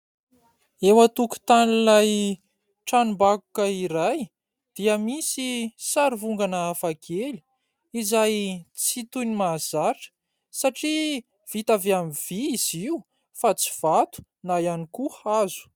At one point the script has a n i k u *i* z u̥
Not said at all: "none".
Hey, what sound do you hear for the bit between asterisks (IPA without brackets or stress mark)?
a